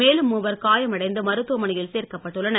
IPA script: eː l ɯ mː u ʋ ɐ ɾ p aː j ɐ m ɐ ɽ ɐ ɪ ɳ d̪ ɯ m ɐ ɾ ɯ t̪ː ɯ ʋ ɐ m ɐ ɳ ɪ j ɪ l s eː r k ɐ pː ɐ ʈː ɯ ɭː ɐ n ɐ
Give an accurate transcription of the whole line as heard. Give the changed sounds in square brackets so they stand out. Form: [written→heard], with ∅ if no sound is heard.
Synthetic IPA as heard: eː l ɯ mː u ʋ ɐ ɾ [p→k] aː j ɐ m ɐ ɽ ɐ ɪ [ɳ→n] d̪ ɯ m ɐ ɾ ɯ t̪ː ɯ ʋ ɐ m ɐ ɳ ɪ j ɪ l s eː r k ɐ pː ɐ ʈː ɯ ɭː ɐ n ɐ